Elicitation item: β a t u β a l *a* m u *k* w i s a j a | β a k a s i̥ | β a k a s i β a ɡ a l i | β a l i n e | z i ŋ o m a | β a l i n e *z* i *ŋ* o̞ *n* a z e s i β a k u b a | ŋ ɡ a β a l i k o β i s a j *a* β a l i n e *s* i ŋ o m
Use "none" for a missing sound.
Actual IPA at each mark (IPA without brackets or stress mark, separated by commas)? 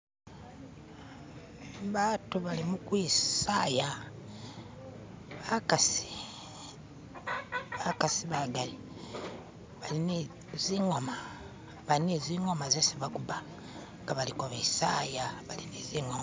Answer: i, k, z, ŋ, m, a, z